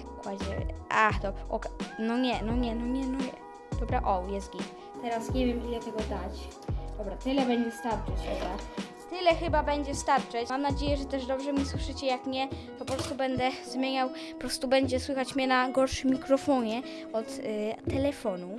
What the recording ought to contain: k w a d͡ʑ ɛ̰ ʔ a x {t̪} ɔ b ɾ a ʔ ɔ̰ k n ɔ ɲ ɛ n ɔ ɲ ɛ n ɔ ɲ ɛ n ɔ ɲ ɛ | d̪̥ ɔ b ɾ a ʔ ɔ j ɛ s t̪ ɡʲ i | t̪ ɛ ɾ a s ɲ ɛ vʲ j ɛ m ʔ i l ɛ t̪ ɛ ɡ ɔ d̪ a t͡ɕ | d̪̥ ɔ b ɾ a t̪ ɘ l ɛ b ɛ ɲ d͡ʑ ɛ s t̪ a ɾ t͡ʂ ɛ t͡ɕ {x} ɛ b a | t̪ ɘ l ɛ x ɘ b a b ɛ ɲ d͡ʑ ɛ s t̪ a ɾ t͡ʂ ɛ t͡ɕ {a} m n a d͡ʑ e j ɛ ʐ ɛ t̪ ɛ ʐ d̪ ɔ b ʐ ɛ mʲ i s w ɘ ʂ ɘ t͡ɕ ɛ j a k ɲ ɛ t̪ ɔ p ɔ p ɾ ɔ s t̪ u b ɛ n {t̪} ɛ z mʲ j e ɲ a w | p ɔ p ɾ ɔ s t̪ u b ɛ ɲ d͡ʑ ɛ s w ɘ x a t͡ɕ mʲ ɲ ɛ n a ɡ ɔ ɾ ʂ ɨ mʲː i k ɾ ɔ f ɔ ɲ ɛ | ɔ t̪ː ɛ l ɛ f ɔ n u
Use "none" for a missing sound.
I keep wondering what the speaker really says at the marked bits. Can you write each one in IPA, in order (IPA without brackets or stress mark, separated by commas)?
d̪, x, a, d̪